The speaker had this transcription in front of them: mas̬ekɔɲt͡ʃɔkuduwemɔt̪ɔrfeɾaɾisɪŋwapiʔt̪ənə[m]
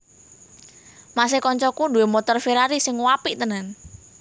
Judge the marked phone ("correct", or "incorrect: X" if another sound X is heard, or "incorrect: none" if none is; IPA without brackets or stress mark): incorrect: n